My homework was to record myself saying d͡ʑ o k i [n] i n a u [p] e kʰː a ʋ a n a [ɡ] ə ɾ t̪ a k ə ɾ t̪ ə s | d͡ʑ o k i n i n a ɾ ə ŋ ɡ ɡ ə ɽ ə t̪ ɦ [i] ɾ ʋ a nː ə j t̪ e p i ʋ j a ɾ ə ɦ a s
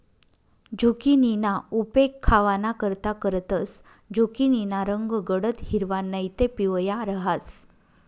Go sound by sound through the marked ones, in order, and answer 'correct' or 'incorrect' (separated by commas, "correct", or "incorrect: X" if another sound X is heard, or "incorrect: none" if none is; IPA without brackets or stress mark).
correct, correct, incorrect: k, correct